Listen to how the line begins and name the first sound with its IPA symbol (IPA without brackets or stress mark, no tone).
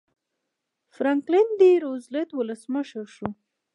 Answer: f